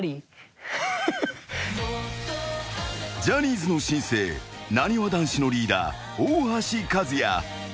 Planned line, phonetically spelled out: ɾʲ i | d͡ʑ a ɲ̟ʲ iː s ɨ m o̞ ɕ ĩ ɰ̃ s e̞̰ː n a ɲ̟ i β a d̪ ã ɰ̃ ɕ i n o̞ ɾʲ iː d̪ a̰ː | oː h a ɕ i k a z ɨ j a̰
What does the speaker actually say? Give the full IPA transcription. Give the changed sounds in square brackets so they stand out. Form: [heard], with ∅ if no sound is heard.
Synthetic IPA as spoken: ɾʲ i | d͡ʑ a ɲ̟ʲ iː [z] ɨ [n] o̞ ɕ ĩ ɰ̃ s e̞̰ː n a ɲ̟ i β a d̪ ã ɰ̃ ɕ i n o̞ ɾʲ iː d̪ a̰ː | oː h a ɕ i k a z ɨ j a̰